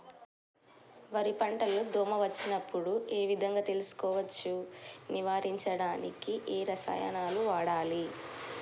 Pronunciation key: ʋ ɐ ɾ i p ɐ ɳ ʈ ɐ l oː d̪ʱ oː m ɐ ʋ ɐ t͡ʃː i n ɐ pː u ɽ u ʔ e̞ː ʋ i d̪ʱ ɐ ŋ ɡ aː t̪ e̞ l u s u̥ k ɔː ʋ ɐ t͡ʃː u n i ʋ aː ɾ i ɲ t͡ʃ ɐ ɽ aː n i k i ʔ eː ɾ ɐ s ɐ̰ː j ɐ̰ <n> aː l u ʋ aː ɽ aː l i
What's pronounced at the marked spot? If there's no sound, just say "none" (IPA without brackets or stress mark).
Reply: n